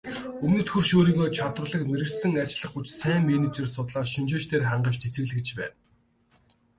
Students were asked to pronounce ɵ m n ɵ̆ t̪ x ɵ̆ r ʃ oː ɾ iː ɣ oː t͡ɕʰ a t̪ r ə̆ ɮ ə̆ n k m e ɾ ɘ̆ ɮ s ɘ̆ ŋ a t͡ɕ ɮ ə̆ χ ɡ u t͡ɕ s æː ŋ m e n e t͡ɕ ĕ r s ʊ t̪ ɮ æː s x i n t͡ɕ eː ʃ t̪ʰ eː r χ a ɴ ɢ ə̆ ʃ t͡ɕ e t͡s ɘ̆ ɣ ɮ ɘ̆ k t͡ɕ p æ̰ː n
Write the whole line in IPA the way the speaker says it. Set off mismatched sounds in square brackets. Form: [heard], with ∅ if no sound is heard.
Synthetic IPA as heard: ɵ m n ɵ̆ t̪ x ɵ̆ r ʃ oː ɾ iː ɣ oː t͡ɕʰ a t̪ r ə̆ ɮ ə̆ [∅] k m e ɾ ɘ̆ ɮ s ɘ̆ ŋ a t͡ɕ ɮ ə̆ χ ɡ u t͡ɕ s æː ŋ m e n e t͡ɕ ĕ r s ʊ t̪ ɮ [aː] s [ʃ] i n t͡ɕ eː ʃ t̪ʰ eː r χ a ɴ ɢ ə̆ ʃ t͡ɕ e t͡s ɘ̆ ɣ ɮ ɘ̆ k t͡ɕ p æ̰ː n